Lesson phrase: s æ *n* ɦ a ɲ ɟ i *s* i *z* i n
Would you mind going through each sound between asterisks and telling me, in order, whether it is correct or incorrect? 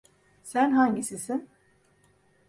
correct, correct, incorrect

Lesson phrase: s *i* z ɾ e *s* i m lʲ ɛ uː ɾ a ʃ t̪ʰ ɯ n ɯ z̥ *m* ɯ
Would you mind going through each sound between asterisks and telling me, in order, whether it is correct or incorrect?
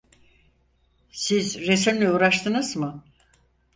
correct, correct, correct

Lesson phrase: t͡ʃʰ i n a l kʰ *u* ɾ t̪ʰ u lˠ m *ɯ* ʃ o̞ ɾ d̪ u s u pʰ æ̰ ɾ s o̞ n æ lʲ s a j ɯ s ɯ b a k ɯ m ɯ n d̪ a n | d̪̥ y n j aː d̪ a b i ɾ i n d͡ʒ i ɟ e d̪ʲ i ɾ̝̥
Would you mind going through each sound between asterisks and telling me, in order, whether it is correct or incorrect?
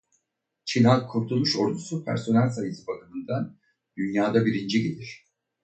correct, incorrect

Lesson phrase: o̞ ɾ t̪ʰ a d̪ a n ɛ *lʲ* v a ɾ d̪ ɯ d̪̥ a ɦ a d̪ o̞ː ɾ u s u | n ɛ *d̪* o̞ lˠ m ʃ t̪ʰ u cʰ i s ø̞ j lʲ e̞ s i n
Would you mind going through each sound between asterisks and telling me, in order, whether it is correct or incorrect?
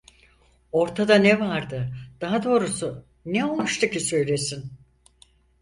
incorrect, incorrect

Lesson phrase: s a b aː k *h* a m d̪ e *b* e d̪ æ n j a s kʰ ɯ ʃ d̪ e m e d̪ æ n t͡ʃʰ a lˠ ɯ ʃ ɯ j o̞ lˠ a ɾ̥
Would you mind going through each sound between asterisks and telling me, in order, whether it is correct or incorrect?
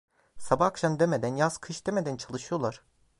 incorrect, incorrect

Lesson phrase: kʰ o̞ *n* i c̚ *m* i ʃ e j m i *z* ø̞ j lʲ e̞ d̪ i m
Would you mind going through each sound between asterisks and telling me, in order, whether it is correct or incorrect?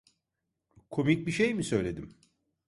incorrect, incorrect, incorrect

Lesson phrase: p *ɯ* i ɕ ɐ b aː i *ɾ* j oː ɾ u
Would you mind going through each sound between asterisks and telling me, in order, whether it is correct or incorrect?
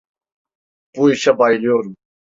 incorrect, incorrect

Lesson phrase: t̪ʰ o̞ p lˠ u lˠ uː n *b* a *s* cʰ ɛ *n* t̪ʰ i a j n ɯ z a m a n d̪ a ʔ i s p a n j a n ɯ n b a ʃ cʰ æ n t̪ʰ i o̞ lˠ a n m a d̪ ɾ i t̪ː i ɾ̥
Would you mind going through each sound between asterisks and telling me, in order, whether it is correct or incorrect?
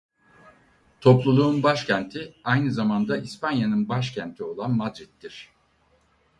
correct, incorrect, correct

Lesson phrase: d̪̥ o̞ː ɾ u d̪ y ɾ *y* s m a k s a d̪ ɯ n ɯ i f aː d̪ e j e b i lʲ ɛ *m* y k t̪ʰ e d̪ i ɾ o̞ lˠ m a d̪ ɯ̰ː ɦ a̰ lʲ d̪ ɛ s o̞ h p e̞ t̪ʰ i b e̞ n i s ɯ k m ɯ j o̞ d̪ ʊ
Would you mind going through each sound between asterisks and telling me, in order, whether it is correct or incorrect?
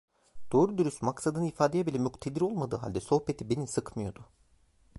correct, correct

